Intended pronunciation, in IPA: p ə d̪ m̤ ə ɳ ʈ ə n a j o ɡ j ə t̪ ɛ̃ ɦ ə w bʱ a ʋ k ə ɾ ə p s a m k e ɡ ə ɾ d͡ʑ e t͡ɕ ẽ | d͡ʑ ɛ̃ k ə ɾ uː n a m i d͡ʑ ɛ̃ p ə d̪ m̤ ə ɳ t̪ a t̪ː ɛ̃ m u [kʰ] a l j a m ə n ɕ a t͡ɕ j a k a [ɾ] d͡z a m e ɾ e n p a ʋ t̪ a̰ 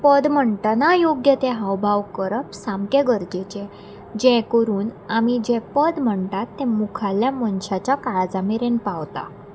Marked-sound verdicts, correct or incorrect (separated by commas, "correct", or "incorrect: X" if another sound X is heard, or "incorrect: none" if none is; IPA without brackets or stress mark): correct, incorrect: ɭ